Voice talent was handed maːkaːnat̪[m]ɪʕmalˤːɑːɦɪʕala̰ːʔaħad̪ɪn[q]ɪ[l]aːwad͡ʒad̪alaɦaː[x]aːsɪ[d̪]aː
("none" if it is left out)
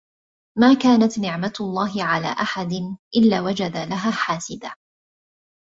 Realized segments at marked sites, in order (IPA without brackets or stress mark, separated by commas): n, ʔ, lː, ħ, d̪